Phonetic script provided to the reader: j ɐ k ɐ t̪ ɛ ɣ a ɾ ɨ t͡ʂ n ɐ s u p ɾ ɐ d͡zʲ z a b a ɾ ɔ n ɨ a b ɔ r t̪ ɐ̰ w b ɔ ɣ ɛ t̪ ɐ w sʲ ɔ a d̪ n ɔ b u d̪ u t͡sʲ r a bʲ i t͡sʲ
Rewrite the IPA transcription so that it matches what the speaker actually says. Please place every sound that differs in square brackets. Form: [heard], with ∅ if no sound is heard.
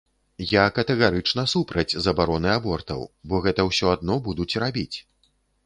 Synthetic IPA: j [a] k ɐ t̪ ɛ ɣ a ɾ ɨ t͡ʂ n ɐ s u p ɾ ɐ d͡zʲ z [ɐ] b a ɾ ɔ n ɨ a b ɔ r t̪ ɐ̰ w b ɔ ɣ ɛ t̪ ɐ w sʲ ɔ a d̪ n ɔ b u d̪ u t͡sʲ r a bʲ i t͡sʲ